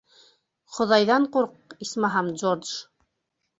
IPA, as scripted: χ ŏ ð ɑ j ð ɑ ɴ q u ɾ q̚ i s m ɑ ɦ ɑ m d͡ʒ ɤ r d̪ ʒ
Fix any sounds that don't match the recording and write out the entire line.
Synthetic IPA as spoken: χ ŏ ð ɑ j ð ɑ ɴ q u ɾ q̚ i s m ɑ ɦ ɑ m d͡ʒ o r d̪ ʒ